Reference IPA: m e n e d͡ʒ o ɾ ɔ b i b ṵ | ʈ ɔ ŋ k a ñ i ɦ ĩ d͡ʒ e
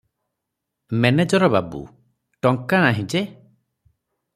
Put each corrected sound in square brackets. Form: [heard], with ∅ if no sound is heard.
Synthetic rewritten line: m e n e d͡ʒ [ɔ] ɾ ɔ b [a] b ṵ | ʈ ɔ ŋ k a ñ [a] ɦ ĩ d͡ʒ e